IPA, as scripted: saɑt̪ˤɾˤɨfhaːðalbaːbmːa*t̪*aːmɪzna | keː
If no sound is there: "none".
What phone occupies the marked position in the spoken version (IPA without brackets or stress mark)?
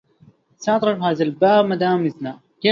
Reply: d̪